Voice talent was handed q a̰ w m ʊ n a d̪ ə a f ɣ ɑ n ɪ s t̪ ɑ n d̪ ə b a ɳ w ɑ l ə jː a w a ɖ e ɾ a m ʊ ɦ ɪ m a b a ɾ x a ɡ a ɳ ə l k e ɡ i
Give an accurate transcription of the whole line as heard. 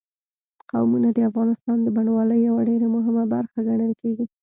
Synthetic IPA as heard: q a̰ w m u n a d̪ ə a f ɣ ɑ n ɪ s t̪ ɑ n d̪ ə b a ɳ w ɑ l ə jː a w a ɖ e ɾ a m ʊ ɦ ɪ m a b a ɾ x a ɡ a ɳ ə l k e ɡ i